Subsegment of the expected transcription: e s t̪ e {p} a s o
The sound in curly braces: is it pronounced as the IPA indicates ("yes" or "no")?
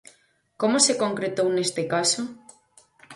no